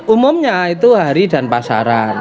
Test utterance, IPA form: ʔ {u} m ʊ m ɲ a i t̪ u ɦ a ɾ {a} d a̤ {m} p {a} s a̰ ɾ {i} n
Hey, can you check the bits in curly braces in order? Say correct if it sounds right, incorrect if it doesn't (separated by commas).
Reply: correct, incorrect, incorrect, correct, incorrect